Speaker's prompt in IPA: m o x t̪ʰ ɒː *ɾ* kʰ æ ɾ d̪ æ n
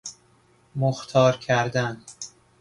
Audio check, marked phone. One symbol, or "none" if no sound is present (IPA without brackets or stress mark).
ɾ